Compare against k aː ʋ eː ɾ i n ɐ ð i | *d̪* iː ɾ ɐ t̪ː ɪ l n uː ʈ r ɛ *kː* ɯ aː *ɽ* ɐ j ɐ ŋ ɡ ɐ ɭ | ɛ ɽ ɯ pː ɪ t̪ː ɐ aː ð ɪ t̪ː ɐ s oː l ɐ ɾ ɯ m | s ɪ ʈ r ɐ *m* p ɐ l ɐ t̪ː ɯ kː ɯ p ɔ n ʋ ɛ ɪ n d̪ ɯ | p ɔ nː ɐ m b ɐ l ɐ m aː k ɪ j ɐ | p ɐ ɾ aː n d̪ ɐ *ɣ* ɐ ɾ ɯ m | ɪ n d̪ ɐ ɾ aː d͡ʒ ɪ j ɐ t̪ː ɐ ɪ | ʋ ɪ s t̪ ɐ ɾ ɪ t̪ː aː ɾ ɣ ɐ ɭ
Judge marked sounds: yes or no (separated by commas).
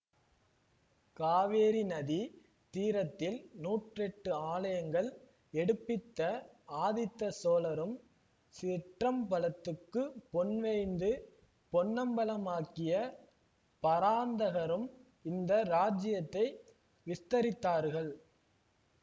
no, no, no, yes, yes